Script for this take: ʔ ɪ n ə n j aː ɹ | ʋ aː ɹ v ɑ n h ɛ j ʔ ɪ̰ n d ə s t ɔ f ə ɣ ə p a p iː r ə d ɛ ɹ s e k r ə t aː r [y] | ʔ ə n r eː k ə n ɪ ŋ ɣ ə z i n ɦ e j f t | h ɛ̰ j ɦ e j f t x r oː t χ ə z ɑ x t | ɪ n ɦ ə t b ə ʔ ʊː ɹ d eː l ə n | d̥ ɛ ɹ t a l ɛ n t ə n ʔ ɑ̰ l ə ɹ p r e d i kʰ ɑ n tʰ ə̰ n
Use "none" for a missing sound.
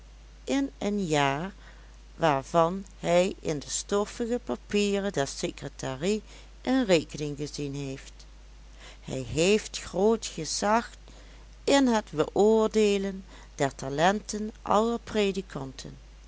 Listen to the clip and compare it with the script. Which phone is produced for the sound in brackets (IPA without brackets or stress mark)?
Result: i